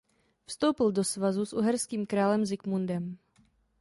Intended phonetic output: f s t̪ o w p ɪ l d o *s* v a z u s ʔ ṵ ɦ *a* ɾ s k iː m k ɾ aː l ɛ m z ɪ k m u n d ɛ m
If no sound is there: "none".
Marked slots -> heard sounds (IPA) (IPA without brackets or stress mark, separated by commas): s, ɛ